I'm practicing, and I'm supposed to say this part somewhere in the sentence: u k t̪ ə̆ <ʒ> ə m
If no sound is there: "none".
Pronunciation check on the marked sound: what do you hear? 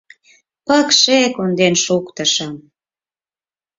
ʃ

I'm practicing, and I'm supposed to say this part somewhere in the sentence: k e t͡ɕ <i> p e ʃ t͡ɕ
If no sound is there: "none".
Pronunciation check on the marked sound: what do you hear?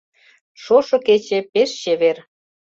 e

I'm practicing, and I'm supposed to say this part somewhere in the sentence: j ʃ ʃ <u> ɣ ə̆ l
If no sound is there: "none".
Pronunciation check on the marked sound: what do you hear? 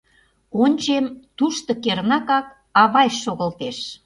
o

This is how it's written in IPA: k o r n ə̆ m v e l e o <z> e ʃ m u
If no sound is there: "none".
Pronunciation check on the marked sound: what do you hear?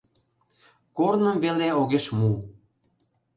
ɣ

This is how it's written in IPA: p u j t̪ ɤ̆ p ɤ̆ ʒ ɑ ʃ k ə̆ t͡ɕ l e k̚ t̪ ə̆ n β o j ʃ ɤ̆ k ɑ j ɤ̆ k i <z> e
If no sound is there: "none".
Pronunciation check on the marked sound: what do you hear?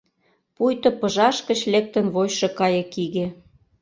ɣ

